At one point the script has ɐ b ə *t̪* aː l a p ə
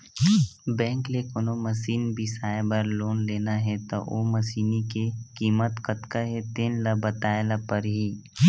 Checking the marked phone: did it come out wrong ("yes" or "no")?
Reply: no